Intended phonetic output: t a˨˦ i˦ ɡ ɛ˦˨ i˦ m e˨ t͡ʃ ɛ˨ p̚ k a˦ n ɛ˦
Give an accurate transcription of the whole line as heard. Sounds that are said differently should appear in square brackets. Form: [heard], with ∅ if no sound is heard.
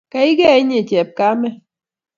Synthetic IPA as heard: [k] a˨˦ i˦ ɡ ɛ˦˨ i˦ [ɲ] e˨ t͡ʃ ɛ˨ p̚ k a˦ [m] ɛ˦